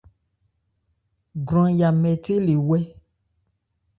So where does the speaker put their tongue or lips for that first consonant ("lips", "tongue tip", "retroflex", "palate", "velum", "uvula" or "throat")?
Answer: velum